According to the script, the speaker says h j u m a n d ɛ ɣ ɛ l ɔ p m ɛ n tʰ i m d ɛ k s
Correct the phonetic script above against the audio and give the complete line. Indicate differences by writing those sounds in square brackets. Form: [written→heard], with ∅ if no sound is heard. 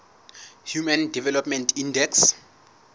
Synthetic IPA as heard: h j u m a n d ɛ [ɣ→v] ɛ l ɔ p m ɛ n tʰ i [m→n] d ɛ k s